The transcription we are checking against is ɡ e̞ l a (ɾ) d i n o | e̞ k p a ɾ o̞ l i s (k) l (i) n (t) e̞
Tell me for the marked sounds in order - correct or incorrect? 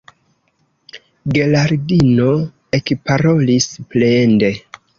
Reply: correct, incorrect: p, incorrect: e, incorrect: d

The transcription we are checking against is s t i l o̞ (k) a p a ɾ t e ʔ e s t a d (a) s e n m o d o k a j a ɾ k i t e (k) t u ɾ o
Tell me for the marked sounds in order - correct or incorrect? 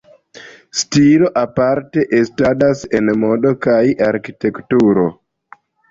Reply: incorrect: ʔ, correct, correct

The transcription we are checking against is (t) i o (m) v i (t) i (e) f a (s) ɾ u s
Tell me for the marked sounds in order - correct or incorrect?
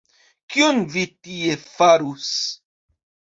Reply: incorrect: k, incorrect: n, correct, correct, incorrect: none

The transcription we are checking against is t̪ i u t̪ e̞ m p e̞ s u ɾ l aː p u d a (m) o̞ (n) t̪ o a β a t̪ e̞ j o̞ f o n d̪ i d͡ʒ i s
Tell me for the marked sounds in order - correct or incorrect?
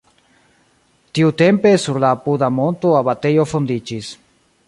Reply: correct, correct

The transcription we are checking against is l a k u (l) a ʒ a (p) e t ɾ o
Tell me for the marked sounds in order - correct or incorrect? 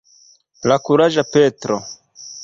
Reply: incorrect: ɾ, correct

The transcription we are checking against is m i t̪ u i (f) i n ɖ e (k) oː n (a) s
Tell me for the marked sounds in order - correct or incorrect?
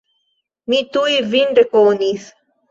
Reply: incorrect: v, correct, incorrect: i

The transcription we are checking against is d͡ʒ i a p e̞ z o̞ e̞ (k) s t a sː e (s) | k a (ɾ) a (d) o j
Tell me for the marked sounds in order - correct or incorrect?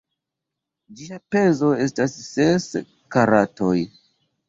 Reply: incorrect: none, correct, correct, incorrect: t

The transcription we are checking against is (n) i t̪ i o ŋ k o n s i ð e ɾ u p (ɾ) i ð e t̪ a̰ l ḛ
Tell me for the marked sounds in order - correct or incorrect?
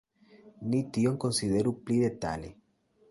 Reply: correct, incorrect: l

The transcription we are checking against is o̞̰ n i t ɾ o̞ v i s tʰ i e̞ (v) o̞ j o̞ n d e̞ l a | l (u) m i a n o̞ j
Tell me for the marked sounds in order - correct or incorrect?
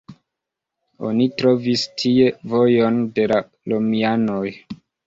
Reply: correct, incorrect: o

